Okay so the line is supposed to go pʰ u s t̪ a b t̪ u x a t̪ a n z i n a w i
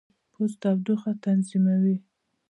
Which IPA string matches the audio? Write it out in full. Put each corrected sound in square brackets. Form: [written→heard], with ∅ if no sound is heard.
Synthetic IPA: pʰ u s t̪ a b [t̪→d̪] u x a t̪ a n z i [n→m] a w i

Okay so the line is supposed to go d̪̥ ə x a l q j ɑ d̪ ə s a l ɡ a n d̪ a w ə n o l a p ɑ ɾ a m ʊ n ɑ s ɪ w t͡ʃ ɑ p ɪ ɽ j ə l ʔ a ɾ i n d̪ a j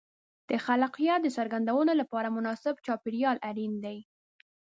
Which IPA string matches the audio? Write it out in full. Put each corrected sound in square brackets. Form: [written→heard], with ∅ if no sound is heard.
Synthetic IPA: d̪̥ ə x a l q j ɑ d̪ ə s a [l→ɾ] ɡ a n d̪ a w ə n o l a p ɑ ɾ a m ʊ n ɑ s ɪ [w→b] t͡ʃ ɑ p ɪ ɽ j [ə→ɑ] l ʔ a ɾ i n d̪ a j

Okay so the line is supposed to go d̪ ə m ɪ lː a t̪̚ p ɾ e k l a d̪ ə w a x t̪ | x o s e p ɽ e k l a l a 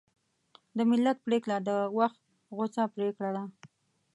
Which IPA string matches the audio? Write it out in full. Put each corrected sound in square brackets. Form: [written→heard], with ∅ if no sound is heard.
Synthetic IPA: d̪ ə m ɪ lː a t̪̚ p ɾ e k l a d̪ ə w a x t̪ | [x→ɣ] o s [e→a] p [ɽ→ɾ] e k [l→ɽ] a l a

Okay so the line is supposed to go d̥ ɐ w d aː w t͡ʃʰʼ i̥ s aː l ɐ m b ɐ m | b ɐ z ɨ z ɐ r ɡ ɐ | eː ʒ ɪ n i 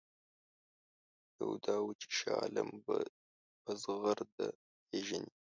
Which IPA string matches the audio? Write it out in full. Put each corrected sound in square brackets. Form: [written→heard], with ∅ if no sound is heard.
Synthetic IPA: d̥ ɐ w d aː w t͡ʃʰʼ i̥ [s→ʃ] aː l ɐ m b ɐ [m→∅] | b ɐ z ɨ [z→ʁ] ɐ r [ɡ→d] ɐ | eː ʒ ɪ n i

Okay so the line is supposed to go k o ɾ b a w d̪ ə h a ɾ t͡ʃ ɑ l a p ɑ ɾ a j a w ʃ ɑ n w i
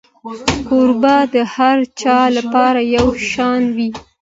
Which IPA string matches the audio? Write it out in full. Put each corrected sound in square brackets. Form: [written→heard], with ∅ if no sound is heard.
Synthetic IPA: k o ɾ b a [w→∅] d̪ ə h a ɾ t͡ʃ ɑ l a p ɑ ɾ a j a w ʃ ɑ n w i

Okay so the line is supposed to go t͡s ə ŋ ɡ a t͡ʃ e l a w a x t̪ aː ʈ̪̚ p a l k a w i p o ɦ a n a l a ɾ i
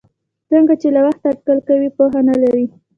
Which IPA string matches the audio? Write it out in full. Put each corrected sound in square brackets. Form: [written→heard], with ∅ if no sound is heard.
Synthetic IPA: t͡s ə ŋ ɡ a t͡ʃ e l a w a x t̪ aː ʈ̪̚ [p→k] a l k a w i p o ɦ a n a l a ɾ i

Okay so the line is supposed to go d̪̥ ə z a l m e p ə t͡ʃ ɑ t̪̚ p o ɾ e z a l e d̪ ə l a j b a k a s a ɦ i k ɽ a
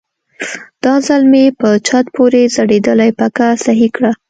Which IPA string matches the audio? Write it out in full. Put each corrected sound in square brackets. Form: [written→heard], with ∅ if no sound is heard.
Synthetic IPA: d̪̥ [ə→ɑ] z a l m e p ə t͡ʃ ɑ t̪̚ p o ɾ e z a [l→ɽ] e d̪ ə l a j [b→p] a k a s a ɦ i k ɽ a

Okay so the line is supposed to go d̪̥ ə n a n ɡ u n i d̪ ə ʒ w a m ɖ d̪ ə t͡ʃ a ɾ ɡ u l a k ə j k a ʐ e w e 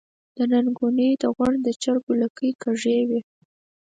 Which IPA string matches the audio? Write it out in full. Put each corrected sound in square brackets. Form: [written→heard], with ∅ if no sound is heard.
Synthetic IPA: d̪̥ ə n a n ɡ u n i d̪ ə [ʒ→ɣ] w a [m→ɳ] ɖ d̪ ə t͡ʃ a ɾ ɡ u l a k ə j k a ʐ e w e

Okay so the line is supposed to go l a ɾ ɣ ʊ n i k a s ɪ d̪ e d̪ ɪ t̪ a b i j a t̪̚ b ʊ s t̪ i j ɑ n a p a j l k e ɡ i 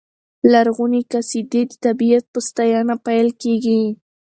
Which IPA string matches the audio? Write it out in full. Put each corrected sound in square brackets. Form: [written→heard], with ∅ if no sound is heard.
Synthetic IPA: l a ɾ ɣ ʊ n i k a s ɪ d̪ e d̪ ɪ t̪ a b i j a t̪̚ [b→p] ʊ s t̪ [i→a] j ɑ n a p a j l k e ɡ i

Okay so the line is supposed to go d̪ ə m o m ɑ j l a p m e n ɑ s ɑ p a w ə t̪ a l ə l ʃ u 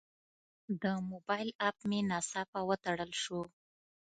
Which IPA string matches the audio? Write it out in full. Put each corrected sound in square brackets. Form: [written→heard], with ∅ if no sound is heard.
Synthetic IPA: d̪ ə m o [m→b] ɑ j l a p m e n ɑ s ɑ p a w ə t̪ a [l→ɽ] ə l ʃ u

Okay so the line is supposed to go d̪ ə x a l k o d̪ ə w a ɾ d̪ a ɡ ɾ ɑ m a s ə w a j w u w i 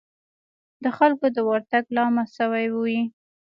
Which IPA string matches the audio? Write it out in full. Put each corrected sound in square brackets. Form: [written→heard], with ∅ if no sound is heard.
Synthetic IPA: d̪ ə x a l k o d̪ ə w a ɾ [d̪→t̪] a ɡ [ɾ→l] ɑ m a s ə w a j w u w i

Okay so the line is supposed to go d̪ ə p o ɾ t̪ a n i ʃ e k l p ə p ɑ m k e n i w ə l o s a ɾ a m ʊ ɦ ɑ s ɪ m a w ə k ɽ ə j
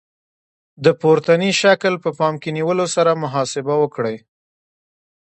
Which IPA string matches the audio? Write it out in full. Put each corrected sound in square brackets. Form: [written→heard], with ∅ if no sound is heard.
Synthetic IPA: d̪ ə p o ɾ t̪ a n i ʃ [e→a] k l p ə p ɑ m k e n i w ə l o s a ɾ a m ʊ ɦ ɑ s ɪ [m→b] a w ə k ɽ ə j

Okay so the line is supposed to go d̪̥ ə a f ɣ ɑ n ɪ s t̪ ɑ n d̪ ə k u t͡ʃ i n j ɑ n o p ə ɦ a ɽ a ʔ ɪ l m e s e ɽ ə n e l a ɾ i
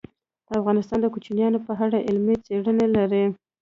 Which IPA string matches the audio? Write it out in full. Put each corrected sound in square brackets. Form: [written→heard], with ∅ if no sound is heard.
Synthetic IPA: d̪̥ ə a f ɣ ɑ n ɪ s t̪ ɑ n d̪ ə k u t͡ʃ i n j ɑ n o p ə ɦ a ɽ a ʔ ɪ l m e [s→t͡s] e ɽ ə n e l a ɾ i

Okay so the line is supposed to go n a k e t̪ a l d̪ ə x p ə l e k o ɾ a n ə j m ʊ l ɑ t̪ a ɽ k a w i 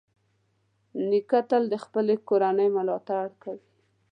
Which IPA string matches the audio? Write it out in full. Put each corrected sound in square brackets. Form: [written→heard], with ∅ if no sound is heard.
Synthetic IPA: n [a→i] k [e→a] t̪ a l d̪ ə x p ə l e k o ɾ a n ə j m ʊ l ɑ t̪ a ɽ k a w i

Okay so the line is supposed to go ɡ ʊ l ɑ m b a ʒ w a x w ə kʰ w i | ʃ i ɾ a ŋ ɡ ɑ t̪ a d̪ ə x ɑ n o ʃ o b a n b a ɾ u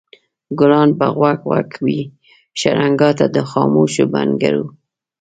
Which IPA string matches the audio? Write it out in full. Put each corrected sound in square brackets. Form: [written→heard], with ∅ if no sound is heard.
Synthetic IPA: ɡ ʊ l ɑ [m→n] b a [ʒ→ɣ] w a [x→k] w [ə→a] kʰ w i | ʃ [i→a] ɾ a ŋ ɡ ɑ t̪ a d̪ ə x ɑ [n→m] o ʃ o b a n [b→ɡ] a ɾ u

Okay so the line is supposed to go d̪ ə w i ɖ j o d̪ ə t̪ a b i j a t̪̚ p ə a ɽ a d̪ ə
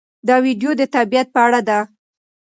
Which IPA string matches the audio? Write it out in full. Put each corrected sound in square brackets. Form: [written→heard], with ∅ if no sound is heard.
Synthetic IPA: d̪ [ə→ɑ] w i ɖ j o d̪ ə t̪ a b i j a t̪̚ p ə a ɽ a d̪ [ə→a]

